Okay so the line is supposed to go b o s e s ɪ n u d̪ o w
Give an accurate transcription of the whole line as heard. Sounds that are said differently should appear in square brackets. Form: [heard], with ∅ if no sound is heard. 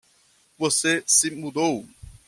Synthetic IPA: [v] o s e s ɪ [m] u d̪ o w